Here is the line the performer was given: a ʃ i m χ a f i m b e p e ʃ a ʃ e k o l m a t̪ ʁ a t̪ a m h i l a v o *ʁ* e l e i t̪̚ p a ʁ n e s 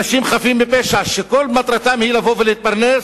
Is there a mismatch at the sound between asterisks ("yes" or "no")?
yes